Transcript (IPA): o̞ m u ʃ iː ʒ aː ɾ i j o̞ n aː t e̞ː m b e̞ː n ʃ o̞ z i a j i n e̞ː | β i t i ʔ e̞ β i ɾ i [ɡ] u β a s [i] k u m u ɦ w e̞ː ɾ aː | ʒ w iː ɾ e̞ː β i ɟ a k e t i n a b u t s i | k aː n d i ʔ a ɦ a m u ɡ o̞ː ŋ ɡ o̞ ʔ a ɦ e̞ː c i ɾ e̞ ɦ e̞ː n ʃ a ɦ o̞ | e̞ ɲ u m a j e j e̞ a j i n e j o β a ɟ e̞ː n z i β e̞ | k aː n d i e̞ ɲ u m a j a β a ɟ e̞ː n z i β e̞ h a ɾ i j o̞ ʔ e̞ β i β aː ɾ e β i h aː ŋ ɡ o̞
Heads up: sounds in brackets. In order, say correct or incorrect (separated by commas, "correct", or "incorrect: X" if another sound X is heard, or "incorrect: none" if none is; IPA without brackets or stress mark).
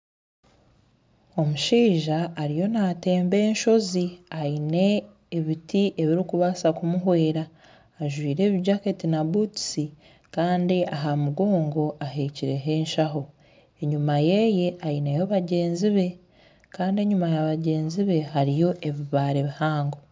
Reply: incorrect: k, incorrect: a